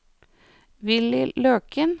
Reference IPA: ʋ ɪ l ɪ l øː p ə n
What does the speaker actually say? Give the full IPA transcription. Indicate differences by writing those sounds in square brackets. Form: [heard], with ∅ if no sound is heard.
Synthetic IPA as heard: ʋ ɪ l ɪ l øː [k] ə n